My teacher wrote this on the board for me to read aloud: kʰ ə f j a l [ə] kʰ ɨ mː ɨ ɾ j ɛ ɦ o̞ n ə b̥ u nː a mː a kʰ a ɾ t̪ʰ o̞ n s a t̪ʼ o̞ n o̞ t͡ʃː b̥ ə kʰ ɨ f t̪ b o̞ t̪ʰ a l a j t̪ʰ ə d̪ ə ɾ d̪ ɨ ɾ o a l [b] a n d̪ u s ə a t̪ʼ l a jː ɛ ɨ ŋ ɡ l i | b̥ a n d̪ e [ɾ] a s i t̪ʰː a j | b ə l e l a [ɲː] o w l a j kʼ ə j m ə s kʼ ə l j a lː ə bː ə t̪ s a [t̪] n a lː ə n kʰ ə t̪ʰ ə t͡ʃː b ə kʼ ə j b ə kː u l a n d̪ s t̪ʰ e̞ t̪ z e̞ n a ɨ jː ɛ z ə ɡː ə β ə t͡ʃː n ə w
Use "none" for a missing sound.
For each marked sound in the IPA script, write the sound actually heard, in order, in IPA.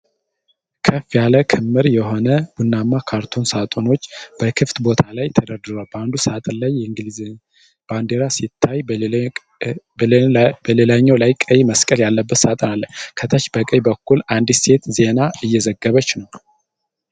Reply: ə, b, ɾ, ɲː, t̪ʼ

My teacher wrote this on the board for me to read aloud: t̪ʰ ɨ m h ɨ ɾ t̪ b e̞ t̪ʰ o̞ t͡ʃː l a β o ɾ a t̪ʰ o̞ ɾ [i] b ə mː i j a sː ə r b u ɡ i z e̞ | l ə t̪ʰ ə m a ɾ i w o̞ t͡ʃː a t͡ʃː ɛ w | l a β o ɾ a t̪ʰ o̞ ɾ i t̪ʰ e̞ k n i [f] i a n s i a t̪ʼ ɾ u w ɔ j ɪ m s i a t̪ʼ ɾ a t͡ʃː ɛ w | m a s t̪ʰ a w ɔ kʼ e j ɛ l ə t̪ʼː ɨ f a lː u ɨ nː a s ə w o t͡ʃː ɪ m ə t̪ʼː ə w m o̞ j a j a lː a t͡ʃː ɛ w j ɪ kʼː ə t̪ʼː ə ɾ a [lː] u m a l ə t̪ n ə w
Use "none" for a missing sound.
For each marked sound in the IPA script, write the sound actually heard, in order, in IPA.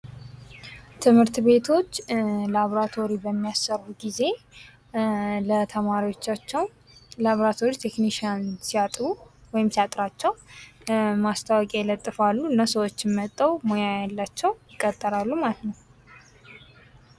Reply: i, ʃ, lː

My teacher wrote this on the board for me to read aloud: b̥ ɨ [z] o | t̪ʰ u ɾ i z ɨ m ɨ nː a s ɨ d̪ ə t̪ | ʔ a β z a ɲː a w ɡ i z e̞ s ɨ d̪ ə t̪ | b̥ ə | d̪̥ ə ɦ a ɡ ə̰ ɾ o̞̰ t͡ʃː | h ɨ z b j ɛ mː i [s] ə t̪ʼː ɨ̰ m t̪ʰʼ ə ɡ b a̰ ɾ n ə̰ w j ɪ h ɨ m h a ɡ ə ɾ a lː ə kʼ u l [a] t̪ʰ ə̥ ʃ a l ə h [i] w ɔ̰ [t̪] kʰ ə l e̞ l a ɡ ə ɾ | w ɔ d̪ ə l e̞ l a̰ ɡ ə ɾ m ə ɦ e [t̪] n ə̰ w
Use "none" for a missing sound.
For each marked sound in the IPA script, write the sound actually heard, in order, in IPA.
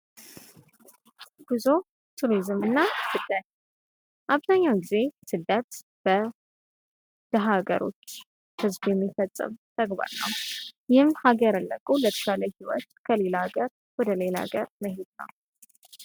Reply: z, f, ə, i, t̪, d̪

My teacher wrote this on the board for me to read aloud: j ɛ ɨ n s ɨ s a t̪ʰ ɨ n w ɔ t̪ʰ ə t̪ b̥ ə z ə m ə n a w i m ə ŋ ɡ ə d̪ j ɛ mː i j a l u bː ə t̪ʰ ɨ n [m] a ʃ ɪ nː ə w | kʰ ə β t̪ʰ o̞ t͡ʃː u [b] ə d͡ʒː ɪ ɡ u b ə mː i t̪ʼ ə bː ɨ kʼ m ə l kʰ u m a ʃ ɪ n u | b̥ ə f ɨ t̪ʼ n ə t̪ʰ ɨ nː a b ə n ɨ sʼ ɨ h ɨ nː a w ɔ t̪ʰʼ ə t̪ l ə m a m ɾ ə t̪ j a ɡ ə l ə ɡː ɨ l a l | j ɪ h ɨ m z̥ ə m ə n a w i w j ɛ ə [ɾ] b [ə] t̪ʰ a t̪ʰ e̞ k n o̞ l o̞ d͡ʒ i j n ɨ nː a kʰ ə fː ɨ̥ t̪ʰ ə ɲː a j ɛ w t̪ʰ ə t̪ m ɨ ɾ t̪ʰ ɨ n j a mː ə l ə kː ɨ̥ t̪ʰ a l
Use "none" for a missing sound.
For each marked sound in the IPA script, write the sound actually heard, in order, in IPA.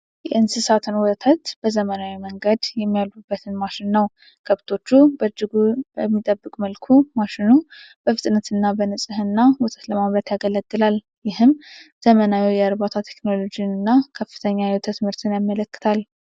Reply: m, b, ɾ, a

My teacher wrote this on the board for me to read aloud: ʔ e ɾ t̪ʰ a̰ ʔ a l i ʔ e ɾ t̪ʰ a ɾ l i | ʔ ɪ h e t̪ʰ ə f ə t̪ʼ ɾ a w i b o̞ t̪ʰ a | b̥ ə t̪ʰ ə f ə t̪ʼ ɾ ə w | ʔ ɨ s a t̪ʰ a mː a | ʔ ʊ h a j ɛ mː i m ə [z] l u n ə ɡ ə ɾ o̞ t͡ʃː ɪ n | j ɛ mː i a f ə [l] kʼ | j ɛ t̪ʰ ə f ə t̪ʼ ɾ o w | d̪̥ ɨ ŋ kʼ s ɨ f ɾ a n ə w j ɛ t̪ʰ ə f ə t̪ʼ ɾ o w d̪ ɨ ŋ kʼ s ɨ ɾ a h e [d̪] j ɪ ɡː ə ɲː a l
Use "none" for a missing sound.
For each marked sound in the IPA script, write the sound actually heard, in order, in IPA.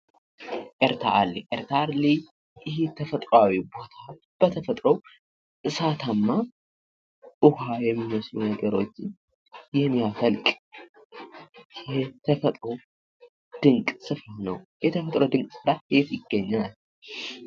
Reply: s, l, t̪

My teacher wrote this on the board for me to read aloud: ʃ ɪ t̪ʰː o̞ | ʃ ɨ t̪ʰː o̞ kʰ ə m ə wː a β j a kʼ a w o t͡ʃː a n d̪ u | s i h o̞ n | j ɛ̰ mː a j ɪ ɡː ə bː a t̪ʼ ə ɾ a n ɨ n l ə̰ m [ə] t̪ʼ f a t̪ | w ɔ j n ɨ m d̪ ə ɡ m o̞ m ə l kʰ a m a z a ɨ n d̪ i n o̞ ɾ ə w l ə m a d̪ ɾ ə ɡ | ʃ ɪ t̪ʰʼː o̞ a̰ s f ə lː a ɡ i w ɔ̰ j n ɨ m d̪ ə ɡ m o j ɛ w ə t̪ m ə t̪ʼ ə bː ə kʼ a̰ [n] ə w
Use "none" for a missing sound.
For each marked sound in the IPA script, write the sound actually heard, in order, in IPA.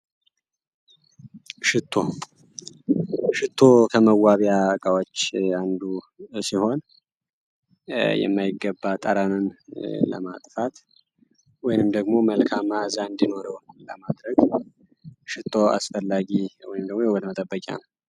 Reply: a, n

